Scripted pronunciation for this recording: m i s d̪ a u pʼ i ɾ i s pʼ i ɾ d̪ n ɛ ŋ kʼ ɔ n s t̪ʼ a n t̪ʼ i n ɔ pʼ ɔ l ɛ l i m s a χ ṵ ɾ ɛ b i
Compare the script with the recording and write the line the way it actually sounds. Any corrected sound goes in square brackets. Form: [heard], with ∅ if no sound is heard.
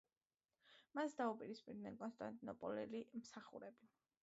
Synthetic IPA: m [a] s d̪ a u pʼ i ɾ i s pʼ i ɾ d̪ n ɛ [n] kʼ ɔ n s t̪ʼ a n t̪ʼ i n ɔ pʼ ɔ l ɛ l i m s a χ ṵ ɾ ɛ b i